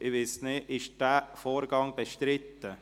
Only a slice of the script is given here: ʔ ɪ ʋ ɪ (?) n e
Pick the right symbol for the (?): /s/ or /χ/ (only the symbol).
s